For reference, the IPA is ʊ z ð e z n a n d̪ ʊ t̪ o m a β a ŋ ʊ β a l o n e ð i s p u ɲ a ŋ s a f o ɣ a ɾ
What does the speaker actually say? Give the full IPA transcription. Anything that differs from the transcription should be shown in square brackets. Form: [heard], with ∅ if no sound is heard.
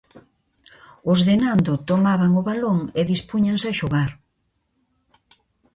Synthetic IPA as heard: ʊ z ð e [∅] n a n d̪ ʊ t̪ o m a β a ŋ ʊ β a l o [ŋ] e ð i s p u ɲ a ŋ s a [ʃ] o ɣ a ɾ